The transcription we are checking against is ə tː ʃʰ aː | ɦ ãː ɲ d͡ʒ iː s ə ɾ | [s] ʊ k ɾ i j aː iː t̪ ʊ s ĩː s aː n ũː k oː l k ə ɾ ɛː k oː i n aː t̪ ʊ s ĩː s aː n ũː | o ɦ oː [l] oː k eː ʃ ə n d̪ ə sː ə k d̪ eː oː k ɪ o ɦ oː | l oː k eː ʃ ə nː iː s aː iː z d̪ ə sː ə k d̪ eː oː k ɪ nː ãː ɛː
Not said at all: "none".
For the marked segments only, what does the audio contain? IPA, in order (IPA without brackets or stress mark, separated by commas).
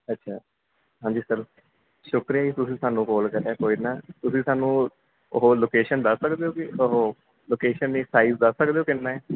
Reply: ʃ, l